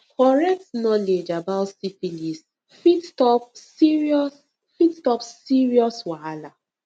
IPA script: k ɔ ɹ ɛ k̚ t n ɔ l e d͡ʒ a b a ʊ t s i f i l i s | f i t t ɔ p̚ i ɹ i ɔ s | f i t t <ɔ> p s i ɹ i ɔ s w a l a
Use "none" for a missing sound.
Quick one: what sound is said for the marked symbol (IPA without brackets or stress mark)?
ɔ